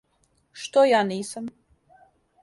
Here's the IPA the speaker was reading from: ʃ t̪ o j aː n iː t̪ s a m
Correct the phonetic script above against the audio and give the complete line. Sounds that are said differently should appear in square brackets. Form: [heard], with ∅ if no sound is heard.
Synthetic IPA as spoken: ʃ t̪ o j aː n iː [∅] s a m